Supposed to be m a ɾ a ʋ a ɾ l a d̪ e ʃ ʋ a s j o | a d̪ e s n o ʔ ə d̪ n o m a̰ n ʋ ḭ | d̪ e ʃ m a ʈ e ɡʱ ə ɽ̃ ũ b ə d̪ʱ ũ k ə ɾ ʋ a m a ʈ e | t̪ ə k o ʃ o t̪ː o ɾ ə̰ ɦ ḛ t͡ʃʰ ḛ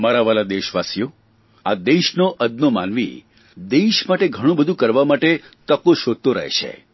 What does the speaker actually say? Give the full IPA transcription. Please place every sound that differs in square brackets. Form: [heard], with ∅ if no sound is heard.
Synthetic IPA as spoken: m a ɾ a ʋ a [∅] l a d̪ e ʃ ʋ a s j o | a d̪ e [ʃ] n o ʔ ə d̪ n o m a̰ n ʋ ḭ | d̪ e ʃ m a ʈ e ɡʱ ə ɽ̃ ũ b ə d̪ʱ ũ k ə ɾ ʋ a m a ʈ e | t̪ ə k o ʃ o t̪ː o ɾ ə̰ ɦ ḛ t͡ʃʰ ḛ